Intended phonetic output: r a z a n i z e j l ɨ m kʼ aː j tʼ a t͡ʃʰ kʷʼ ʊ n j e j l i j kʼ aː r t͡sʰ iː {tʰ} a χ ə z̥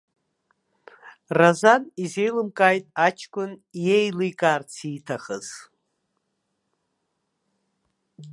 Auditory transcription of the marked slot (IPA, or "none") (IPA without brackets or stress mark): tʰ